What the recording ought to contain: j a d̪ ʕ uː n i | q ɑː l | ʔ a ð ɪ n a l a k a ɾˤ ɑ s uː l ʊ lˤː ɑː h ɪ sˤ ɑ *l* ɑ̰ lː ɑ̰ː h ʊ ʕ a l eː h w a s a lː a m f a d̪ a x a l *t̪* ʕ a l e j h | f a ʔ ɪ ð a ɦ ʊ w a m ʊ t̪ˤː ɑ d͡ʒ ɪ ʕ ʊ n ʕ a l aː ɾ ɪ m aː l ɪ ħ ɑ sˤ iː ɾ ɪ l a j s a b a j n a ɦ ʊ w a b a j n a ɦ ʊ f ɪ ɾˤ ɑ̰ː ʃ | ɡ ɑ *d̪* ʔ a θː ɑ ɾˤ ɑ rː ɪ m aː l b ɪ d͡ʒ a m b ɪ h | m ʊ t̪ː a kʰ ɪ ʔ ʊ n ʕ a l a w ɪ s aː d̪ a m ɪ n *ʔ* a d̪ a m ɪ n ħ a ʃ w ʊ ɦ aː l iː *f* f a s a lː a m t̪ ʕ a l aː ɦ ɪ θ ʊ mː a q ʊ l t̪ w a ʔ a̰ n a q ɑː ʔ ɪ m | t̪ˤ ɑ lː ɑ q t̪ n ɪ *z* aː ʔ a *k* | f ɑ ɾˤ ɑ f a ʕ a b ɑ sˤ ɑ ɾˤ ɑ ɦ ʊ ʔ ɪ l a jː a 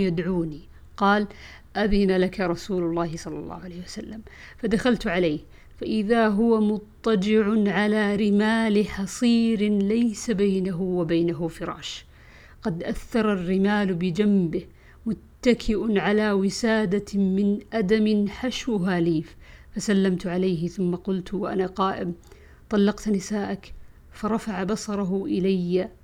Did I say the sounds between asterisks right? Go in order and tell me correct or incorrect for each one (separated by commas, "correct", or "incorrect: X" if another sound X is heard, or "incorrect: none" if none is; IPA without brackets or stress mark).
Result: incorrect: lː, correct, correct, correct, correct, incorrect: s, correct